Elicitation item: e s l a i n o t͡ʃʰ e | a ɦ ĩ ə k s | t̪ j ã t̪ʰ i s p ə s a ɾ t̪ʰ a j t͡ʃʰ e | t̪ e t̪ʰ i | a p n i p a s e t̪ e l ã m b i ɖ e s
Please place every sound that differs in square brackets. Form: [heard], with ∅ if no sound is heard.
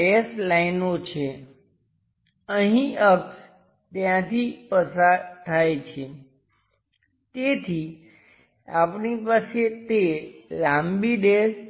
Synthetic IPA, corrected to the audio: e s l a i n o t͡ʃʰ e | [ə] ɦ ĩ ə k s | t̪ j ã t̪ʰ i [∅] p ə s a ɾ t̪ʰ a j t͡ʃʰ e | t̪ e t̪ʰ i | a p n i p a s e t̪ e l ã m b i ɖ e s